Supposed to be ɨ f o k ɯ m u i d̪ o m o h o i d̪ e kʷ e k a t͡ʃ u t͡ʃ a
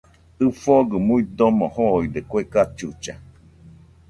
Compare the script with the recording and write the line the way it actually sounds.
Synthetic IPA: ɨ f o ɡ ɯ m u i d̪ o m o h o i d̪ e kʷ e k a t͡ʃ u t͡ʃ a